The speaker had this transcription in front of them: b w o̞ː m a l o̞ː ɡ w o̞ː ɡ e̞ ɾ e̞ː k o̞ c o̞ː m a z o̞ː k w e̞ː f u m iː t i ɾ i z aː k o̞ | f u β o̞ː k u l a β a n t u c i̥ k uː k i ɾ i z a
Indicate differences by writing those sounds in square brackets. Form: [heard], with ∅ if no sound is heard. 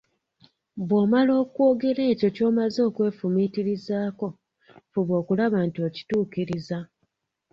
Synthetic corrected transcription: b w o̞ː m a l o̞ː [k] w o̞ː ɡ e̞ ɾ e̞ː [c] o̞ c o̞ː m a z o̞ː k w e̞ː f u m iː t i ɾ i z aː k o̞ | f u β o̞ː k u l a β a n t [o] c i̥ [t] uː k i ɾ i z a